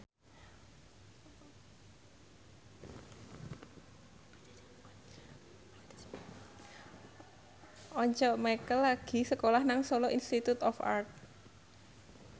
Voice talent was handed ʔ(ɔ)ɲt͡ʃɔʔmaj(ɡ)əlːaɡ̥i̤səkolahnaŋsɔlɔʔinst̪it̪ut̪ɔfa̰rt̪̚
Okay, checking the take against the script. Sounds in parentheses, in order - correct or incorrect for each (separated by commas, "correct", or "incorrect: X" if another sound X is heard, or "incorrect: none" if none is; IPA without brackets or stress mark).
correct, incorrect: k